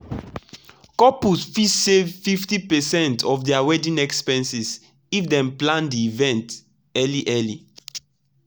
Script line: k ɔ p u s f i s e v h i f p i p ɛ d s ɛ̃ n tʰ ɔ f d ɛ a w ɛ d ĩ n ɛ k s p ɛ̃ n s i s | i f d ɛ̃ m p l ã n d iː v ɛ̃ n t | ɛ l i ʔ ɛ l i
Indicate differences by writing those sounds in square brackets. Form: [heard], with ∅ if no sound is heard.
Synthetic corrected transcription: k ɔ p u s f i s e v [f] i f [t] i p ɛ [∅] s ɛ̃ n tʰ ɔ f d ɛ a w ɛ d ĩ n ɛ k s p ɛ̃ n s i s | i f d ɛ̃ m p l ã n d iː v ɛ̃ n t | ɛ l i ʔ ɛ l i